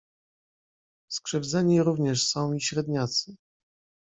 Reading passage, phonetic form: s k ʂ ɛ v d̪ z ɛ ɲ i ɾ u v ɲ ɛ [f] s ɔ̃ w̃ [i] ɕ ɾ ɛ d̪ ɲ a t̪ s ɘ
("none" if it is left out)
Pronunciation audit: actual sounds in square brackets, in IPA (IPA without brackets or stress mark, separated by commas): ʂ, i